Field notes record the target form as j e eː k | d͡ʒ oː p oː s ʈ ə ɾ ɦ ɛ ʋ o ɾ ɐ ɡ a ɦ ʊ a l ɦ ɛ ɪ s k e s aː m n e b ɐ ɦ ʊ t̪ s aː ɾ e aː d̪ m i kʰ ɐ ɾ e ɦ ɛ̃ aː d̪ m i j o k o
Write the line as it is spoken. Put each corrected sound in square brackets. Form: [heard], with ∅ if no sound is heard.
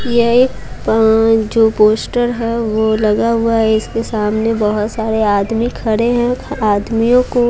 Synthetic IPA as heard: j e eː k | d͡ʒ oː p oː s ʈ ə ɾ ɦ ɛ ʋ o [l] ɐ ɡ a ɦ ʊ a [∅] ɦ ɛ ɪ s k e s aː m n e b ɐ ɦ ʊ t̪ s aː ɾ e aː d̪ m i kʰ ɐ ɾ e ɦ ɛ̃ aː d̪ m i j [õ] k o